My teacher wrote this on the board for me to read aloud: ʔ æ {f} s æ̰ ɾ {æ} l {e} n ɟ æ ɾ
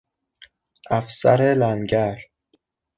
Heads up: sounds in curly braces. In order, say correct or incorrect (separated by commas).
correct, incorrect, incorrect